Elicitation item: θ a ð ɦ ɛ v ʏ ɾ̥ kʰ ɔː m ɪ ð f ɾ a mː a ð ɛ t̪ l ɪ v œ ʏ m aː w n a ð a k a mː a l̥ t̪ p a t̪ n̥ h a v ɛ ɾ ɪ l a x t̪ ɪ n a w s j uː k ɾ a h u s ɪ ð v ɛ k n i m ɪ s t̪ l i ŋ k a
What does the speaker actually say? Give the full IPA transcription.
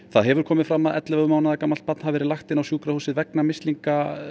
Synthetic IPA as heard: θ a ð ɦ ɛ v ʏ ɾ̥ kʰ ɔː m ɪ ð f ɾ a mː a ð ɛ t̪ l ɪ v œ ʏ m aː w n a ð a k a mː a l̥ t̪ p a t̪ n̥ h a v ɛ ɾ ɪ l a x t̪ ɪ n a w s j uː k ɾ a h u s ɪ ð v ɛ k n a m ɪ s t̪ l i ŋ k a

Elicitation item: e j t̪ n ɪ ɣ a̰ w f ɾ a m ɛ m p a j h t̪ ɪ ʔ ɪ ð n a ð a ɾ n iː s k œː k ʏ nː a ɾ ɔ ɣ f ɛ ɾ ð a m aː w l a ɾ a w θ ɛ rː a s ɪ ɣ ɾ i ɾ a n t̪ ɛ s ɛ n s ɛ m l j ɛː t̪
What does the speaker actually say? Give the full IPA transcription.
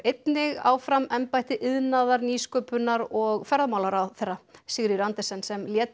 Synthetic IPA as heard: e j t̪ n ɪ ɣ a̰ w f ɾ a m ɛ m p a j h t̪ ɪ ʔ ɪ ð n a ð a ɾ n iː s k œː p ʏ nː a ɾ ɔ ɣ f ɛ ɾ ð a m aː w l a ɾ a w θ ɛ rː a s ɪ ɣ ɾ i ɾ a n t̪ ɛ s ɛ n s ɛ m l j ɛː t̪

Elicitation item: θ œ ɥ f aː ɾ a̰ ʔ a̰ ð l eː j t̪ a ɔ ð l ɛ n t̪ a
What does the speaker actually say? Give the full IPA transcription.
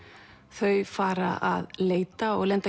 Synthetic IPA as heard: θ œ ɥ f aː ɾ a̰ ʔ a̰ ð l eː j t̪ a ɔ ɣ l ɛ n t̪ a

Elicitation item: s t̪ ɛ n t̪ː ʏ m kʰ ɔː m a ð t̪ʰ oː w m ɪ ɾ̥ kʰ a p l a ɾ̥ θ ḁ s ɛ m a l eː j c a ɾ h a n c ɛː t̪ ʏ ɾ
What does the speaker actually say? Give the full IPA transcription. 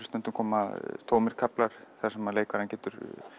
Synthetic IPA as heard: s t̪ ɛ n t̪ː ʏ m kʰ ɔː m a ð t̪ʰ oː w m ɪ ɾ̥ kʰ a p l a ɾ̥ θ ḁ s ɛ m a l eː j k a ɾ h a n c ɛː t̪ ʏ ɾ

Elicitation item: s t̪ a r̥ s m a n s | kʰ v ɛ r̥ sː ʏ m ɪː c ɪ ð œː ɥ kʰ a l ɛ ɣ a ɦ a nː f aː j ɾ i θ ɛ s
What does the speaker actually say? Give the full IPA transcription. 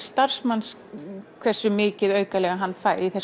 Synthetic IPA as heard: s t̪ a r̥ s m a n s | kʰ v ɛ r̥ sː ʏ m ɪː c ɪ ð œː ɥ k a l ɛ ɣ a ɦ a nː f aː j ɾ i θ ɛ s

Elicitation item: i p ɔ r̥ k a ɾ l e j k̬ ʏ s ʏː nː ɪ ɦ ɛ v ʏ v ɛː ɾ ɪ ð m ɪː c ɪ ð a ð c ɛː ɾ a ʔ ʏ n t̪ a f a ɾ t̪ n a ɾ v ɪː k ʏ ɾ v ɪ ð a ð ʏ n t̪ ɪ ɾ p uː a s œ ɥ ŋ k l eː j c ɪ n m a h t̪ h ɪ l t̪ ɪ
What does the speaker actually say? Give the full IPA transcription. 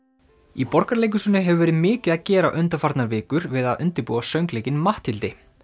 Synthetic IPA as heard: i p ɔ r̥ k a ɾ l e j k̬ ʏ s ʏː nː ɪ ɦ ɛ v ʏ v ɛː ɾ ɪ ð m ɪː c ɪ ð a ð c ɛː ɾ a ʔ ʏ n t̪ a f a ɾ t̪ n a ɾ v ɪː k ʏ ɾ v ɪ ð a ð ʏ n t̪ ɪ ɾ p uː a s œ ɥ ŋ k l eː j c ɪ n m a h t̪ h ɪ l t̪ ɪ

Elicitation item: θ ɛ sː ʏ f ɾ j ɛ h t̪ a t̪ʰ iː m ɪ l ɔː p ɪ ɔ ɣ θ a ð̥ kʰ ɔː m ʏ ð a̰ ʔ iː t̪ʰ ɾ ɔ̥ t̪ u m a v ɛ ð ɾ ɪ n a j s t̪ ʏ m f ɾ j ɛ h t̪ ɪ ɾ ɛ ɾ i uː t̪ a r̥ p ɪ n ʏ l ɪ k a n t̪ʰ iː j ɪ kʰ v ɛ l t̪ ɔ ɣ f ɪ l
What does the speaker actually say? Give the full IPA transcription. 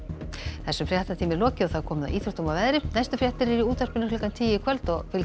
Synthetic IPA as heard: θ ɛ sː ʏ f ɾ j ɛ h t̪ a t̪ʰ iː m ɪ l ɔː c ɪ ɔ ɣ θ a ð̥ kʰ ɔː m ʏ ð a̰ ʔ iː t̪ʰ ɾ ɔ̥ t̪ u m a v ɛ ð ɾ ɪ n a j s t̪ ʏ f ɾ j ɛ h t̪ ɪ ɾ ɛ ɾ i uː t̪ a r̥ p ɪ n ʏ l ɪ k a n t̪ʰ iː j ɪ kʰ v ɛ l t̪ ɔ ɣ f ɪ l

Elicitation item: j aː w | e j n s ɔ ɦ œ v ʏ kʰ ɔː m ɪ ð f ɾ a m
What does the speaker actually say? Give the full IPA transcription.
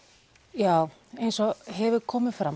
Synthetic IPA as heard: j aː w | e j n s ɔ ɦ ɛ v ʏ kʰ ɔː m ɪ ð f ɾ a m

